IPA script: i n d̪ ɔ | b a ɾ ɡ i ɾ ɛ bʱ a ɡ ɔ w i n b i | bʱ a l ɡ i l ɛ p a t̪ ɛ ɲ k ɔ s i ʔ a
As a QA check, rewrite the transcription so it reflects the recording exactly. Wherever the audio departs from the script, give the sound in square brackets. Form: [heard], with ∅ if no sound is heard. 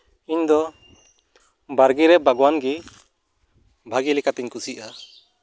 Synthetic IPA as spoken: i [ɲ] d̪ ɔ | b a ɾ ɡ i ɾ ɛ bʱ a ɡ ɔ w [a] n [ɡ] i | bʱ a [∅] ɡ i l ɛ [k] a t̪ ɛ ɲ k [u] s i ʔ a